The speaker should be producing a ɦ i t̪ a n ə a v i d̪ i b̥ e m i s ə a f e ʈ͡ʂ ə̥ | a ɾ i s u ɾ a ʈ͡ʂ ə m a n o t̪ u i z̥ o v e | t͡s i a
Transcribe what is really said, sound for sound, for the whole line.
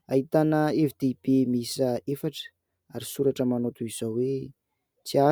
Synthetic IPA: a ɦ i t̪ a n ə e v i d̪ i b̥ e m i s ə e f a ʈ͡ʂ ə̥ | a ɾ i s u ɾ a ʈ͡ʂ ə m a n o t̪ u i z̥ o w e | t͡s i a